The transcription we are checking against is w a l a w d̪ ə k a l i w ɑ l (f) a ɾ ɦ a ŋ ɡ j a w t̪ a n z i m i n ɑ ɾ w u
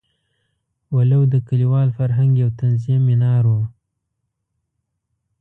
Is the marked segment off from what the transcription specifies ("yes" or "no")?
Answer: no